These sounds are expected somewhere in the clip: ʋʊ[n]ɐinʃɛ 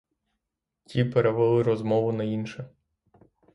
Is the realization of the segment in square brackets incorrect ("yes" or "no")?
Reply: no